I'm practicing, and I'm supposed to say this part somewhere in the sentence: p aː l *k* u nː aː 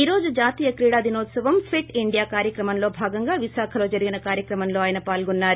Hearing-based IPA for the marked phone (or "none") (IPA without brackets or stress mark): ɡ